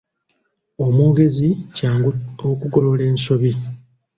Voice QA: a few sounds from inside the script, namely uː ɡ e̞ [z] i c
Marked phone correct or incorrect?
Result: correct